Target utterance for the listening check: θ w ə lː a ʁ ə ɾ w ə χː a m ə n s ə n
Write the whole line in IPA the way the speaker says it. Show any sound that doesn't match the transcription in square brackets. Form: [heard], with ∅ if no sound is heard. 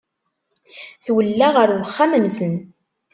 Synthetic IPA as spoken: θ w ə lː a ʁ ə ɾ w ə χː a m ə n s ə n